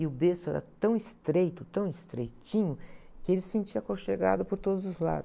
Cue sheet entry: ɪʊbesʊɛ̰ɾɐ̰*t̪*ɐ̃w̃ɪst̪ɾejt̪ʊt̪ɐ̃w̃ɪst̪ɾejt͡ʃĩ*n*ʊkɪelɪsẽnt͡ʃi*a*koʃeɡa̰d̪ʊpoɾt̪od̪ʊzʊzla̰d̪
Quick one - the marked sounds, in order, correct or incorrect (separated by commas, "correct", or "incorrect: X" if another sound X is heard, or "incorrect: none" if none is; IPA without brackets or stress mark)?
correct, incorrect: ɲ, incorrect: ɐ